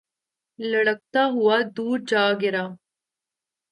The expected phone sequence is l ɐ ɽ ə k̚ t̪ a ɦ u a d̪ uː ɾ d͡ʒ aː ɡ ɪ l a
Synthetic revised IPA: l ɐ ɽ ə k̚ t̪ a ɦ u a d̪ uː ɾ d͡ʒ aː ɡ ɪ ɾ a